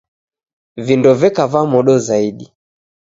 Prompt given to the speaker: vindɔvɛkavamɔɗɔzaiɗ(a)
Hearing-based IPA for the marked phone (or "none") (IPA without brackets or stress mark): i